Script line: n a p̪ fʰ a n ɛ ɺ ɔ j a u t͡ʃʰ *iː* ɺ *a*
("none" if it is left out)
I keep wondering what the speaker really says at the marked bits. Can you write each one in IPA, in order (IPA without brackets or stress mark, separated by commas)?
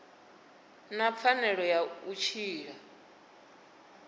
iː, a